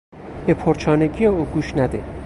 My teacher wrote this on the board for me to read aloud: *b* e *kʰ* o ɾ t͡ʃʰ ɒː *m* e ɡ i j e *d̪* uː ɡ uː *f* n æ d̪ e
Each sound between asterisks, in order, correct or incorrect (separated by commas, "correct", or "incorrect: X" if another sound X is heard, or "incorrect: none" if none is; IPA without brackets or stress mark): correct, incorrect: pʰ, incorrect: n, incorrect: none, incorrect: ʃ